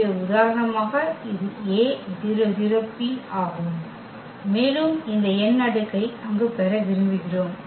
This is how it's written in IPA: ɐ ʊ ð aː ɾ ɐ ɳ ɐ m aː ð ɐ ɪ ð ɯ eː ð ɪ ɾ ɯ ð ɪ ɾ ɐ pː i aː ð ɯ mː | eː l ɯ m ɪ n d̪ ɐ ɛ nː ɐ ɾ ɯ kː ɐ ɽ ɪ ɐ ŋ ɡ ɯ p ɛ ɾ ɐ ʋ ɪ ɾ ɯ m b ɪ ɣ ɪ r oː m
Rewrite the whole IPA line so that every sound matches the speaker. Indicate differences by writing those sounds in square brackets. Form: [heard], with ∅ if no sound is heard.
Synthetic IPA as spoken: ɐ ʊ ð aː ɾ ɐ ɳ ɐ m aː [ɣ] ɐ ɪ ð ɯ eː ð ɪ ɾ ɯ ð ɪ ɾ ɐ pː i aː [ɣ] ɯ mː | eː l ɯ m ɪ n d̪ ɐ ɛ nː ɐ [ɽ] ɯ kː ɐ [∅] ɪ ɐ ŋ ɡ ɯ p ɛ ɾ ɐ ʋ ɪ ɾ ɯ m b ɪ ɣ ɪ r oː m

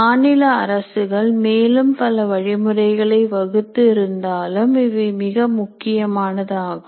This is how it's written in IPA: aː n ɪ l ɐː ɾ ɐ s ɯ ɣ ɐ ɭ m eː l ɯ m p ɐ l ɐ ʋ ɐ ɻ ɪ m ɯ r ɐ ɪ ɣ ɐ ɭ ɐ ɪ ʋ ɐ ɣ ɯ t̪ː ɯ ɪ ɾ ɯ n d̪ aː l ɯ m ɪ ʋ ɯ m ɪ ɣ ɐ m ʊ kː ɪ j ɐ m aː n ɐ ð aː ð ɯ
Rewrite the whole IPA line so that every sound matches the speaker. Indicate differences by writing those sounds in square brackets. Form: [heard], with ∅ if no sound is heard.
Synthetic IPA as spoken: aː n ɪ l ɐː ɾ ɐ s ɯ ɣ ɐ ɭ m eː l ɯ m p ɐ l ɐ ʋ ɐ ɻ ɪ m ɯ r ɐ ɪ ɣ ɐ ɭ ɐ ɪ ʋ ɐ ɣ ɯ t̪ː ɯ ɪ ɾ ɯ n d̪ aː l ɯ m ɪ ʋ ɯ m ɪ ɣ ɐ m ʊ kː ɪ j ɐ m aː n ɐ ð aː [ɣ] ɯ

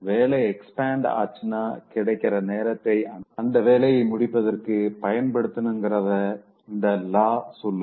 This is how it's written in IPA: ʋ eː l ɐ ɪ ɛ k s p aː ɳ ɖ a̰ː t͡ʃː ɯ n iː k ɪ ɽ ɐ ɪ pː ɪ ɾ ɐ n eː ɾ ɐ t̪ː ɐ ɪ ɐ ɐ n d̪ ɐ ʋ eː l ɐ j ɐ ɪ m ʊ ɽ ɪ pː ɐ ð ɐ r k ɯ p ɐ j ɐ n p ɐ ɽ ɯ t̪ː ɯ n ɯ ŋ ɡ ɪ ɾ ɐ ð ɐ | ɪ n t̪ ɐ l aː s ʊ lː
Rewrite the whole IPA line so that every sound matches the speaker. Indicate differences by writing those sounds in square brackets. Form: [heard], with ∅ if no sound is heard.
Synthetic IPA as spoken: ʋ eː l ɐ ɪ ɛ k s p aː ɳ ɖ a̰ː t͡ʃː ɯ n [aː] k ɪ ɽ ɐ ɪ [kː] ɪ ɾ ɐ n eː ɾ ɐ t̪ː ɐ ɪ ɐ ɐ n d̪ ɐ ʋ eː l ɐ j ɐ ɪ m ʊ ɽ ɪ pː ɐ ð ɐ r k ɯ p ɐ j ɐ n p ɐ ɽ ɯ t̪ː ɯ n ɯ ŋ ɡ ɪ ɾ ɐ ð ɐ | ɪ n [d̪] ɐ l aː s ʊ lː

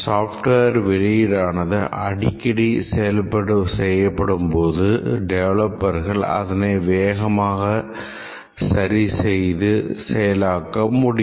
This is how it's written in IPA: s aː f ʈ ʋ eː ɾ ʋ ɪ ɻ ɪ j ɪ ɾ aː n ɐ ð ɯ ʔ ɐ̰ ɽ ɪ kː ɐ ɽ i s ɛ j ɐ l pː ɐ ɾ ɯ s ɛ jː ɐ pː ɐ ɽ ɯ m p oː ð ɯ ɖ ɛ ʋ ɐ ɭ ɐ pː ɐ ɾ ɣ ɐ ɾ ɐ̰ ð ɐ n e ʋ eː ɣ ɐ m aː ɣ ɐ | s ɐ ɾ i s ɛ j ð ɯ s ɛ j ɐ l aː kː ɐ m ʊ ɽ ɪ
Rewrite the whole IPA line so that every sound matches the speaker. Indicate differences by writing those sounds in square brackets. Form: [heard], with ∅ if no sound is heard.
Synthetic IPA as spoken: s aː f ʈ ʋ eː ɾ ʋ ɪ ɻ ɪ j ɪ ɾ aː n ɐ ð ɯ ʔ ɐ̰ ɽ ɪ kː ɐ ɽ i s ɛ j ɐ l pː ɐ [ɽ] ɯ s ɛ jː ɐ pː ɐ ɽ ɯ m p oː ð ɯ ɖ ɛ ʋ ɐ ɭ ɐ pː ɐ ɾ ɣ ɐ [ɭ] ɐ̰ ð ɐ n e ʋ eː ɣ ɐ m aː ɣ ɐ | s ɐ ɾ i s ɛ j ð ɯ s ɛ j ɐ l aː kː ɐ m ʊ ɽ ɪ

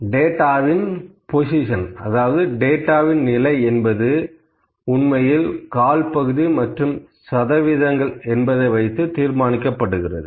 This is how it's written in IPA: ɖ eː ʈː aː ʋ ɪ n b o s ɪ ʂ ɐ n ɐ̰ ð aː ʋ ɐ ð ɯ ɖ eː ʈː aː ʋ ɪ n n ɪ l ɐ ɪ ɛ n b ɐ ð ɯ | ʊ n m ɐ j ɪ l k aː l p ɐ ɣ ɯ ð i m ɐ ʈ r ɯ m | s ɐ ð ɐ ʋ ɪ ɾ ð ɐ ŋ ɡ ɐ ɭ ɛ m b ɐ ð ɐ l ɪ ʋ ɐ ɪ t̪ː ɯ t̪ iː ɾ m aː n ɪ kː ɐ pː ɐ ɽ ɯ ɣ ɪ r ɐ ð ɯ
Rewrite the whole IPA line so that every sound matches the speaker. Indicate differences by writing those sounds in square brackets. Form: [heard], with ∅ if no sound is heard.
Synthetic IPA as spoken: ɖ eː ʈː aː ʋ ɪ n [p] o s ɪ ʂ ɐ n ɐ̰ ð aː ʋ ɐ ð ɯ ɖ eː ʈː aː ʋ ɪ n n ɪ l ɐ ɪ ɛ n b ɐ ð ɯ | ʊ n m ɐ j ɪ l k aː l p ɐ ɣ ɯ ð i m ɐ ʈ r ɯ m | s ɐ ð ɐ ʋ ɪ [∅] ð ɐ ŋ ɡ ɐ ɭ ɛ [n] b ɐ ð ɐ [∅] ɪ ʋ ɐ ɪ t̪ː ɯ t̪ iː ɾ m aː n ɪ kː ɐ pː ɐ ɽ ɯ ɣ ɪ r ɐ ð ɯ

